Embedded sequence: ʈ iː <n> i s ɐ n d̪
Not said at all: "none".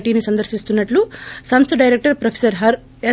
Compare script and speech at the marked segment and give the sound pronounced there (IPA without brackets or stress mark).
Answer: n